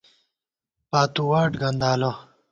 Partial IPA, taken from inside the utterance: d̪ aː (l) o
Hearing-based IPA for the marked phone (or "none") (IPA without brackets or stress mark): l